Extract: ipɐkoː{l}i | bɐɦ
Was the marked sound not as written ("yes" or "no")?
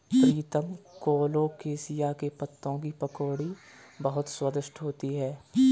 yes